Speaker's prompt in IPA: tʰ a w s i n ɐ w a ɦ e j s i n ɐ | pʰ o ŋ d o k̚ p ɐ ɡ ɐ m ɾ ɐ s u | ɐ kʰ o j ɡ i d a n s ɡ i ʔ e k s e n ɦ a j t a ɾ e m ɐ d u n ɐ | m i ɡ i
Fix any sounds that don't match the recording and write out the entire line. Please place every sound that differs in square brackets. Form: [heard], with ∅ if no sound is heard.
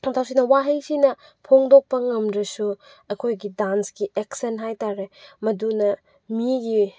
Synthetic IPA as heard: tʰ a w s i n ɐ w a ɦ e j s i n ɐ | pʰ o ŋ d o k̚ p ɐ [ŋ] ɐ m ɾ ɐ s u | ɐ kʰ o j ɡ i d a n s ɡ i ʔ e k s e n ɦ a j t a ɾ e m ɐ d u n ɐ | m i ɡ i